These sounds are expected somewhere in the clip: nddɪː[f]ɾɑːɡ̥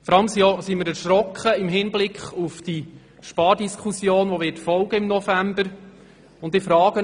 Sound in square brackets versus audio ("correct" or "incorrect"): correct